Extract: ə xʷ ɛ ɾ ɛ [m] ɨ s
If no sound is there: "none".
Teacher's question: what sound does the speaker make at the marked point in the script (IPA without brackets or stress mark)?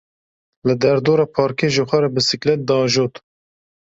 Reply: b